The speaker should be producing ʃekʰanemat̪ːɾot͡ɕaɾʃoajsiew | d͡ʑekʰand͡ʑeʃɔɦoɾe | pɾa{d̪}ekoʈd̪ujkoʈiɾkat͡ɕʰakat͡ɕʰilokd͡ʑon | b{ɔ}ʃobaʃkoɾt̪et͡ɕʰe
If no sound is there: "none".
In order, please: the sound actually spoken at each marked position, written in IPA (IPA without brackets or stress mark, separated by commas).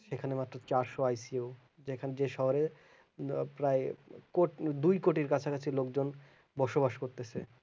none, ɔ